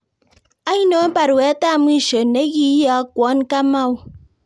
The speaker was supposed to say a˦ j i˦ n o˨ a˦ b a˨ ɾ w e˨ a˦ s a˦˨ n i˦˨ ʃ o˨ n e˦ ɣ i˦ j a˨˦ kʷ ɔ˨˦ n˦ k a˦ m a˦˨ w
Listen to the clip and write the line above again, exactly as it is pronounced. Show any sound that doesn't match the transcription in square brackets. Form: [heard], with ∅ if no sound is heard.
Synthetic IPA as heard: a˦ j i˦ n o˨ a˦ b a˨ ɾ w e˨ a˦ [t] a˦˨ [m] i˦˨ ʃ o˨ n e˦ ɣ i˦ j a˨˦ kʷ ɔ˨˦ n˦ k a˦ m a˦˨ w